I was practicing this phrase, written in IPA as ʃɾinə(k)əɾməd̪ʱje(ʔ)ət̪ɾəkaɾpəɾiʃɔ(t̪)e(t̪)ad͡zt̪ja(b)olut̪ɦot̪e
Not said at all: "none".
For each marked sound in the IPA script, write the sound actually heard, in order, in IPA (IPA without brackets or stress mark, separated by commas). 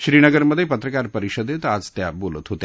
ɡ, p, d̪, t̪, b